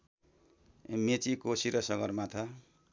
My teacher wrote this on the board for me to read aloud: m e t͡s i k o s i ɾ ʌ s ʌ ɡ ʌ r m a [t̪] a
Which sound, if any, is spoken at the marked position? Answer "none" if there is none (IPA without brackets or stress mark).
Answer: t̪ʰ